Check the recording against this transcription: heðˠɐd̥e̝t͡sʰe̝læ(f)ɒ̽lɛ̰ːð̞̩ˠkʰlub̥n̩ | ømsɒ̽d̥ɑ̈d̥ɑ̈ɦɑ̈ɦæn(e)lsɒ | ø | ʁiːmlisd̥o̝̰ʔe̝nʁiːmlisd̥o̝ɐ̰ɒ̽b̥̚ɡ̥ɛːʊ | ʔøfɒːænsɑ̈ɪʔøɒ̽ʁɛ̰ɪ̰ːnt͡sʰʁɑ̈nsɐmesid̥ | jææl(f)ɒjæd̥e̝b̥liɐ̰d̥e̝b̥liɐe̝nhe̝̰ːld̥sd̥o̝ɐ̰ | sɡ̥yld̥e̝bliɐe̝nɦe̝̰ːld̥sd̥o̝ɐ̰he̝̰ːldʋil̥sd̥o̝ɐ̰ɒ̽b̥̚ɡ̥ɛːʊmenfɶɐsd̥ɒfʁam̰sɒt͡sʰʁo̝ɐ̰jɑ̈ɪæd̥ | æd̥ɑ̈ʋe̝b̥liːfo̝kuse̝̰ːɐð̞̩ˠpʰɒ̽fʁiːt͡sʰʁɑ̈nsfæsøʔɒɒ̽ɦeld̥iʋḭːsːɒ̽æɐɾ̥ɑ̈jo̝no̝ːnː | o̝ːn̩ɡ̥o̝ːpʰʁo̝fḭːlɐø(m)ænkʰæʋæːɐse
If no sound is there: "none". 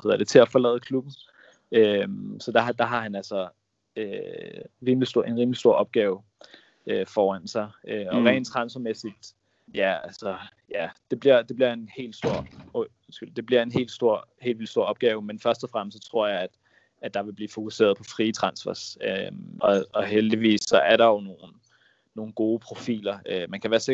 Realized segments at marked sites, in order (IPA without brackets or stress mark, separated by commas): f, æ, s, m